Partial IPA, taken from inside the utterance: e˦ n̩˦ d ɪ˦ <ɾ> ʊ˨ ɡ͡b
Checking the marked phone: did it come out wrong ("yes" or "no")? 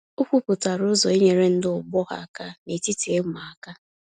yes